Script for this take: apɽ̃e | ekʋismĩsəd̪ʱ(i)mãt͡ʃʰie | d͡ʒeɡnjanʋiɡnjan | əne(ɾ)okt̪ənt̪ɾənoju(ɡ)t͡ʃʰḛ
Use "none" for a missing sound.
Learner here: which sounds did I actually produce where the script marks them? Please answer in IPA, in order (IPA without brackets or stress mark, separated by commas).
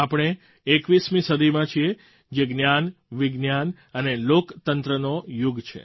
i, l, ɡ